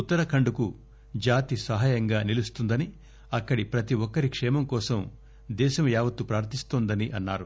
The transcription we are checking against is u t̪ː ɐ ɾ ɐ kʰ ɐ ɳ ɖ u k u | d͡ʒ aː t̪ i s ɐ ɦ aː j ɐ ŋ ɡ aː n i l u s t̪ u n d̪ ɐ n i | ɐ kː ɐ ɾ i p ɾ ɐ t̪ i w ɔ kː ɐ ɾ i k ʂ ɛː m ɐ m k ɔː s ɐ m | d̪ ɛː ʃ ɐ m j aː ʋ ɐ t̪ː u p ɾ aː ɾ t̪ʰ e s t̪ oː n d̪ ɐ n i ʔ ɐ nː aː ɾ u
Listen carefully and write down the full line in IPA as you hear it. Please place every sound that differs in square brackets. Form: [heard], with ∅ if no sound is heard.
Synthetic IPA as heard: u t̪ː ɐ ɾ ɐ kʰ ɐ ɳ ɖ u k u | d͡ʒ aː t̪ i s ɐ ɦ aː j ɐ ŋ ɡ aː n i l u s t̪ u n d̪ ɐ n i | ɐ kː ɐ [ɽ] i p ɾ ɐ t̪ i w ɔ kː ɐ ɾ i k ʂ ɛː m ɐ m k ɔː s ɐ m | d̪ ɛː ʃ ɐ m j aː ʋ ɐ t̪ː u p ɾ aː ɾ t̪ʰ [i] s t̪ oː n d̪ ɐ n i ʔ ɐ nː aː ɾ u